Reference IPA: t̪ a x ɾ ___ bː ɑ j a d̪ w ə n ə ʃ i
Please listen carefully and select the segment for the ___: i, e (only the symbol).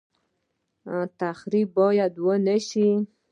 i